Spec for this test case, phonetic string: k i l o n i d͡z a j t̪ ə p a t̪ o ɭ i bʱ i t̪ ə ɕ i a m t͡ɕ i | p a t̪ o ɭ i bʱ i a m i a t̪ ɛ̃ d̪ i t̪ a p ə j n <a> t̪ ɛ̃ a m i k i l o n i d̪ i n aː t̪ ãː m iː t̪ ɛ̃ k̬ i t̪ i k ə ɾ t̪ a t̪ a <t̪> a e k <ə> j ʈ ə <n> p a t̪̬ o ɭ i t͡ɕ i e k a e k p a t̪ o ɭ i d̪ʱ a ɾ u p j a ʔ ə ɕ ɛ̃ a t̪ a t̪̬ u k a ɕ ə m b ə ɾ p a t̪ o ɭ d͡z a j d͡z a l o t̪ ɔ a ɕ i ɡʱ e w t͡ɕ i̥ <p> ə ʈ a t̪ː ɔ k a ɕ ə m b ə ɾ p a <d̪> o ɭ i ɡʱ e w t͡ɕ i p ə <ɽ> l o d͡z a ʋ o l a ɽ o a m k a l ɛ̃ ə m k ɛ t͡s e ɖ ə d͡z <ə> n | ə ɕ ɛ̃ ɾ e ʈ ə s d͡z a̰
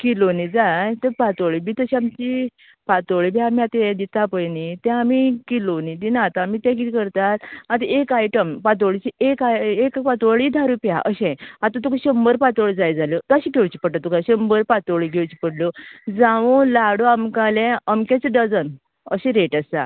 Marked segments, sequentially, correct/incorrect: incorrect: i, correct, incorrect: a, incorrect: m, correct, incorrect: t̪, correct, correct

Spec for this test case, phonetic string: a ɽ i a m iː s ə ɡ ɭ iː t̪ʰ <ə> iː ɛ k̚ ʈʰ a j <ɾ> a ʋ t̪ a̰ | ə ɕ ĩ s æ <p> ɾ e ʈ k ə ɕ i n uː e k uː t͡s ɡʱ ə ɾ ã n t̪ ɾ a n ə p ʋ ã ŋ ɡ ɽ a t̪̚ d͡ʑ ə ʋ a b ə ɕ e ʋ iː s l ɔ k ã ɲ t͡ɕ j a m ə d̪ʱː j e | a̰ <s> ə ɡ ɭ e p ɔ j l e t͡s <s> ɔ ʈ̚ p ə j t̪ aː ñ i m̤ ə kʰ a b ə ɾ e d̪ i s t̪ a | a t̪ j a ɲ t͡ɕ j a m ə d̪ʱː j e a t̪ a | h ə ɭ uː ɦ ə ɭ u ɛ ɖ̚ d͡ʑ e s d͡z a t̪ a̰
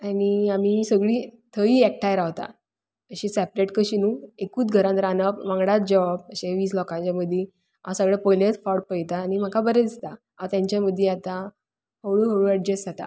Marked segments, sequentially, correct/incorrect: correct, correct, correct, correct, incorrect: f

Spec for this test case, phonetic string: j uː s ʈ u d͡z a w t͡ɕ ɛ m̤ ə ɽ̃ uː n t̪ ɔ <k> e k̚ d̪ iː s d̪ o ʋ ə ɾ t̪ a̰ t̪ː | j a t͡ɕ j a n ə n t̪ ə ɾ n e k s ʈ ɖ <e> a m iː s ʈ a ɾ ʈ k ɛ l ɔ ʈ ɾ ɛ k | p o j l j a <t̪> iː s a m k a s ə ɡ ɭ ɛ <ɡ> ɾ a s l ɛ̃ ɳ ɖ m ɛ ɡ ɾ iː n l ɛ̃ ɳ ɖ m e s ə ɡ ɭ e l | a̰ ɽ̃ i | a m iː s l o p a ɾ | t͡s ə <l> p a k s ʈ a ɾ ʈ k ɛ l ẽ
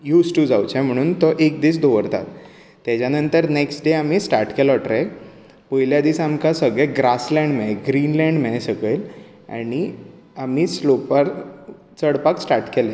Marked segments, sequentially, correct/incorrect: incorrect: ʔ, correct, incorrect: d̪, correct, incorrect: ɽ

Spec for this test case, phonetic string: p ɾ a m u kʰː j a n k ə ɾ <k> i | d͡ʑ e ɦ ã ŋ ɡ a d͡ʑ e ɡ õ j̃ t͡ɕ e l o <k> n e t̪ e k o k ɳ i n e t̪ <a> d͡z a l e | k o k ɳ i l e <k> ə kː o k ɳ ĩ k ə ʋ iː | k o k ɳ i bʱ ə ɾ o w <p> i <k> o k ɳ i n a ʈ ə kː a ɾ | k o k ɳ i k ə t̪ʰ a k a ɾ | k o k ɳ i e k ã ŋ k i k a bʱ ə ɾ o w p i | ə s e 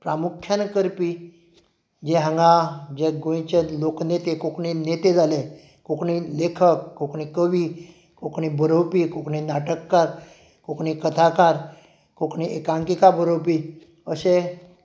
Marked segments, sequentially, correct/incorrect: incorrect: p, correct, incorrect: e, incorrect: kʰ, correct, correct

